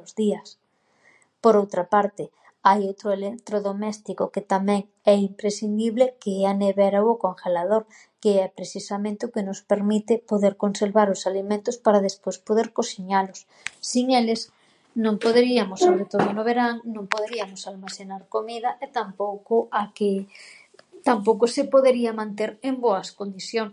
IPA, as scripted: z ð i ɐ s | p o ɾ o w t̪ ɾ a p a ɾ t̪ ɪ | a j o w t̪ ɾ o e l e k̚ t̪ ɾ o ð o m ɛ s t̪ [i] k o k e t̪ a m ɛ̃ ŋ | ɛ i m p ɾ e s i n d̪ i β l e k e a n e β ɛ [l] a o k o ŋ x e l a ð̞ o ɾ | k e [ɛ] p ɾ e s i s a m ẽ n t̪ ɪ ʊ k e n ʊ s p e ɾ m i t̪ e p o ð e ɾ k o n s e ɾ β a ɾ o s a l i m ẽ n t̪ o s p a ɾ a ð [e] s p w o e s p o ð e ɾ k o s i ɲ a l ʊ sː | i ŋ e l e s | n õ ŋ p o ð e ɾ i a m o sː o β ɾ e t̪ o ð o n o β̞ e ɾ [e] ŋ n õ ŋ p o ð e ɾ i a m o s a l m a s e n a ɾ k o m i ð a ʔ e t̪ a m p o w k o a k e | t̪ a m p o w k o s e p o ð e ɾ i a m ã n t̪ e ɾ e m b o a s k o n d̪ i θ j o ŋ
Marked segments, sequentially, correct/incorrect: correct, incorrect: ɾ, correct, correct, incorrect: a

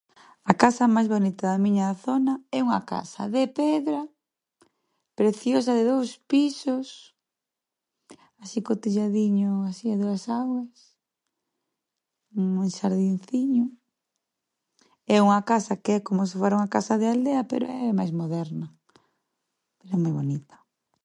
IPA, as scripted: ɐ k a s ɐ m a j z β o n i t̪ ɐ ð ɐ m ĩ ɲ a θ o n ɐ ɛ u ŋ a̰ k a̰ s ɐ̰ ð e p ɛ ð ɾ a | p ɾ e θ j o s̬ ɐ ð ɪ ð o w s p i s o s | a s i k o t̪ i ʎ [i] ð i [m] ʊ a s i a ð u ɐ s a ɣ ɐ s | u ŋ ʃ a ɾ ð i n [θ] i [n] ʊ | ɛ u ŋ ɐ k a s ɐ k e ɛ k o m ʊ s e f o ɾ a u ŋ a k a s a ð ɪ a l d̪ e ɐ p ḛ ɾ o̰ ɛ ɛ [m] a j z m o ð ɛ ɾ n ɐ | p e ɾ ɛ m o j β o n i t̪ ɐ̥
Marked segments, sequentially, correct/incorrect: incorrect: a, incorrect: ɲ, correct, incorrect: ɲ, correct

